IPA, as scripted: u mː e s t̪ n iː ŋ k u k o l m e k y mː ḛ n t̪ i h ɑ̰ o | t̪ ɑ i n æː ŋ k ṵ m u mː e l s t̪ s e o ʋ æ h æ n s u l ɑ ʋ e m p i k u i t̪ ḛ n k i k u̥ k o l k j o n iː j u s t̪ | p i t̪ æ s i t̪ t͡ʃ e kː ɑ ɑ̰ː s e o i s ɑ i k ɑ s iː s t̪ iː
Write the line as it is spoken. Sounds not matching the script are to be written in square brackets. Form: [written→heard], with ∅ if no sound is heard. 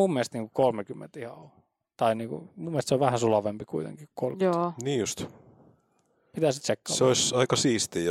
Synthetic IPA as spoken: u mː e s t̪ n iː ŋ k u k o l m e k y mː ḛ n t̪ i h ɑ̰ o | t̪ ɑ i n [æː→iː] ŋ k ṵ m u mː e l s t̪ s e o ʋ æ h æ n s u l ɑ ʋ e m p i k u i t̪ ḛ [n→ŋ] k i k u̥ k o l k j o n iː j u s t̪ | p i t̪ æ s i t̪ t͡ʃ e kː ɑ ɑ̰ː s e o i s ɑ i k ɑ s iː s t̪ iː